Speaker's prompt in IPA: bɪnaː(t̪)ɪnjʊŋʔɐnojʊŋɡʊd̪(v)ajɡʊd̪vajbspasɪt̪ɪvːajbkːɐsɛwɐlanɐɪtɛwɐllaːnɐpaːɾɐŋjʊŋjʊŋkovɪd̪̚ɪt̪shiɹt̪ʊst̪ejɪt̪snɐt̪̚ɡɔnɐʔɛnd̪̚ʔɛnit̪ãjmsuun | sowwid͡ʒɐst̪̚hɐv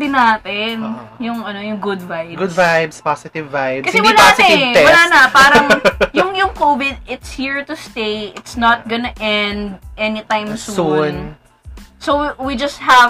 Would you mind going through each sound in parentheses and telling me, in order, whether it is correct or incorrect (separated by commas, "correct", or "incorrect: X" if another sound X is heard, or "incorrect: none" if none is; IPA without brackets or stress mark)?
correct, correct